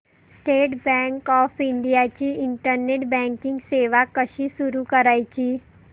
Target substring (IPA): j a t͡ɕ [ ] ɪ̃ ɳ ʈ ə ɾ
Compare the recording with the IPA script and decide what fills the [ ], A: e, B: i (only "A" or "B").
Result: B